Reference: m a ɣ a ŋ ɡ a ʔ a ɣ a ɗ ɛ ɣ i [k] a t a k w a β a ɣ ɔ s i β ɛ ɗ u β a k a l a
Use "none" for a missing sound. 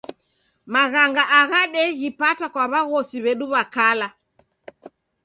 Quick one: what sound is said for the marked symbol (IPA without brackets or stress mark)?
p